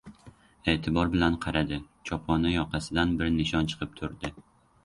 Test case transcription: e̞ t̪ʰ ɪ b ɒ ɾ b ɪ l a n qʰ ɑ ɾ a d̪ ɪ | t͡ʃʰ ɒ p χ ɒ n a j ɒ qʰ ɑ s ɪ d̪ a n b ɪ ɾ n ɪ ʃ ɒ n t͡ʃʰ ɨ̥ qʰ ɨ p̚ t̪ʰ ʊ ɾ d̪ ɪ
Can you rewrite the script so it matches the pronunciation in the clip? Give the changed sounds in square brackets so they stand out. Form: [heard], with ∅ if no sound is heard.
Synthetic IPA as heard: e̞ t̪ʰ ɪ b ɒ ɾ b ɪ l a n qʰ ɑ ɾ a d̪ ɪ | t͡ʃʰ ɒ p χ ɒ n a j ɒ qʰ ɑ s ɪ d̪ a n b ɪ ɾ n ɪ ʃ ɒ n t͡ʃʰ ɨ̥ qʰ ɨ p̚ t̪ʰ ʊ ɾ d̪ ɪ